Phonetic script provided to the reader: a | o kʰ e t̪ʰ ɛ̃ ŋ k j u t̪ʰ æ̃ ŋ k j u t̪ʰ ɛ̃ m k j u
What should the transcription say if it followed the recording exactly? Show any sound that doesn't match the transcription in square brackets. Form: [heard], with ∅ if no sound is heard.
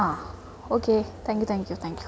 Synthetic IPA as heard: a | o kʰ e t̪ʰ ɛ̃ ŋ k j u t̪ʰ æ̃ ŋ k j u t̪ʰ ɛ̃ [ŋ] k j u